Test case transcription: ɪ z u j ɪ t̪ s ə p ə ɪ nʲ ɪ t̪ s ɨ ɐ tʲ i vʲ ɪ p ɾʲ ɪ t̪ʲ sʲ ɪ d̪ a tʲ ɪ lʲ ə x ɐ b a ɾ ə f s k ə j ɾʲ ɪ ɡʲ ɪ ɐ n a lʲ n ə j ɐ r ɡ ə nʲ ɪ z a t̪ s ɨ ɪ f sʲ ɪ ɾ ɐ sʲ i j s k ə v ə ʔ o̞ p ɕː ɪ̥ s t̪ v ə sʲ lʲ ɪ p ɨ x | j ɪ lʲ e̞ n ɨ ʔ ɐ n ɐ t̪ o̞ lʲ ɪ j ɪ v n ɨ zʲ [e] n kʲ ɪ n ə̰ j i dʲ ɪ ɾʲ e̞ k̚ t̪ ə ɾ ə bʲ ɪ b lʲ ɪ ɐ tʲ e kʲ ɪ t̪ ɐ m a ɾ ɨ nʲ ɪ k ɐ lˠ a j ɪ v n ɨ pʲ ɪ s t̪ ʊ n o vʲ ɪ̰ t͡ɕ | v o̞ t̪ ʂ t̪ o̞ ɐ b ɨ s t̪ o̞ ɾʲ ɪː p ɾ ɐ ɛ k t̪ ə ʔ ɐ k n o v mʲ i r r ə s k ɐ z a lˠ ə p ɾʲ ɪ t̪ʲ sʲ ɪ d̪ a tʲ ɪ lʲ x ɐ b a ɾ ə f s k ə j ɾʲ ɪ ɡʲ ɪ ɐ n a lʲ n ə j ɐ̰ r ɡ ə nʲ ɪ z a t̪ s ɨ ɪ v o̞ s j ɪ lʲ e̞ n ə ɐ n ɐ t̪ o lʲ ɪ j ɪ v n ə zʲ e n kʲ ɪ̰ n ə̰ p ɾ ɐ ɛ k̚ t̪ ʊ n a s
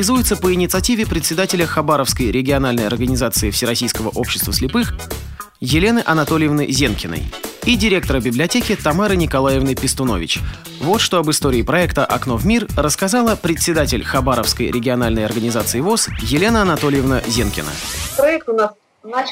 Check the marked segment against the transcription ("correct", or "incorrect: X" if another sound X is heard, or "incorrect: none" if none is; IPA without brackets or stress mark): correct